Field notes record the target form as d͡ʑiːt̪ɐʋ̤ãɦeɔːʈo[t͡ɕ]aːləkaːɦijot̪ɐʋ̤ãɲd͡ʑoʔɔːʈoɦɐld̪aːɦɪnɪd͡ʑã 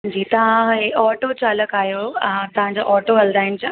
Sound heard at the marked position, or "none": t͡ɕ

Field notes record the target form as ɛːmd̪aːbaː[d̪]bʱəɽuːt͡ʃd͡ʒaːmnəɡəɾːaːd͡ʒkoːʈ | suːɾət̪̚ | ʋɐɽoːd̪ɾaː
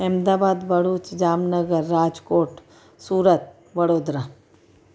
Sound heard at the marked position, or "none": d̪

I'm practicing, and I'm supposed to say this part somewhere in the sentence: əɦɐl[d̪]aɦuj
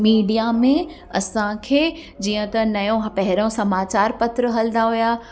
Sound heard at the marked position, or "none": d̪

